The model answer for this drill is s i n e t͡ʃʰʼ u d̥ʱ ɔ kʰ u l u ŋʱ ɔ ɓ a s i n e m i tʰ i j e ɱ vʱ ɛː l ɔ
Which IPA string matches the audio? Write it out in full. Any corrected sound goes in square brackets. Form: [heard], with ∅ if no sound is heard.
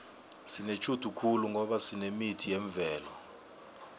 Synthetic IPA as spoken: s i n e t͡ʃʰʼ u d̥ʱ [u] kʰ u l u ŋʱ ɔ ɓ a s i n e m i tʰ i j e ɱ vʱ ɛː l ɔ